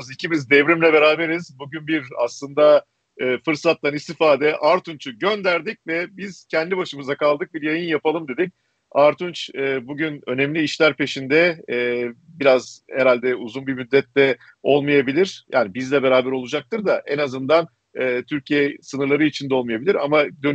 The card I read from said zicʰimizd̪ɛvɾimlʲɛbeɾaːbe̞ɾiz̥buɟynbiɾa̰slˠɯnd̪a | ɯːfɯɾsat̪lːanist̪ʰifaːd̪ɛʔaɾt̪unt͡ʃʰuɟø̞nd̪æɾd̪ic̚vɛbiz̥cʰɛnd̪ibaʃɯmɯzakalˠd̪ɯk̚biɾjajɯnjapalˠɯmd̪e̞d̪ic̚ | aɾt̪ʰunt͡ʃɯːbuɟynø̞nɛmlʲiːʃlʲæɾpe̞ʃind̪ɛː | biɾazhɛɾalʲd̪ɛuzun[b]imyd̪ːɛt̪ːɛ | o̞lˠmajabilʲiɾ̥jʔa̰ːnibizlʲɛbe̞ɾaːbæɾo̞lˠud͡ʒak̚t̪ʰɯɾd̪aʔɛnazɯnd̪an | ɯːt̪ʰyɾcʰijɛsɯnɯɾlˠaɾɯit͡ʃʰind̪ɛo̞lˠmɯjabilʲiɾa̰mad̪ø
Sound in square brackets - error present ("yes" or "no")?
no